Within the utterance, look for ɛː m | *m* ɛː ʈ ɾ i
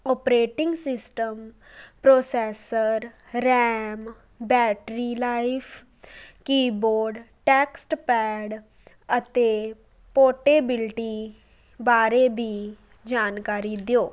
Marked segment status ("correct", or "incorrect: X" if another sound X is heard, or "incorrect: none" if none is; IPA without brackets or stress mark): incorrect: b